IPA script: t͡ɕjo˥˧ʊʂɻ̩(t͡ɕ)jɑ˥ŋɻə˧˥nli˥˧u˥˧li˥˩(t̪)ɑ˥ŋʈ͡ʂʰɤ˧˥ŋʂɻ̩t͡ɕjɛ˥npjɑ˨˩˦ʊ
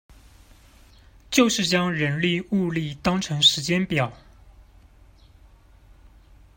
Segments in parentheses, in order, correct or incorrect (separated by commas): correct, correct